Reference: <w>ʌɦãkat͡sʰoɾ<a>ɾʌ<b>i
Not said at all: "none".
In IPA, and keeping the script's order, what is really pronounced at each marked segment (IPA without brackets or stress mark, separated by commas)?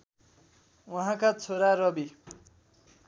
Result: w, a, b